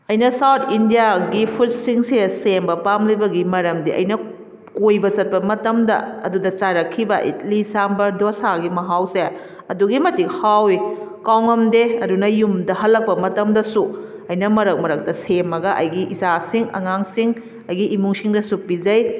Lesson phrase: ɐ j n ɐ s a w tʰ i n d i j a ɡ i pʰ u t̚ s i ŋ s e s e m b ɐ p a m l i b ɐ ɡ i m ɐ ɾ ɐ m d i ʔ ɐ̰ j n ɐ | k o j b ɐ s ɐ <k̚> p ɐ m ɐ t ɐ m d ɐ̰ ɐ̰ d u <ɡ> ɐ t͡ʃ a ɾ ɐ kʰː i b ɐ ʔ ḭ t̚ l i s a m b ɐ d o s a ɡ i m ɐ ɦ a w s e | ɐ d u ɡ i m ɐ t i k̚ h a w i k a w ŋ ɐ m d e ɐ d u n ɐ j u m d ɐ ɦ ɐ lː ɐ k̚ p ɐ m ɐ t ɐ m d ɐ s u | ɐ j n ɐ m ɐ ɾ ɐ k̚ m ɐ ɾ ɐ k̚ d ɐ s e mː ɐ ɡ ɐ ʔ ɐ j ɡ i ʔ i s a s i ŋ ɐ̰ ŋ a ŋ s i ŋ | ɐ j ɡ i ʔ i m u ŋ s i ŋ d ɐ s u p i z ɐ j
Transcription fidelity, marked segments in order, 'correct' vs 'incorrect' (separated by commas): incorrect, incorrect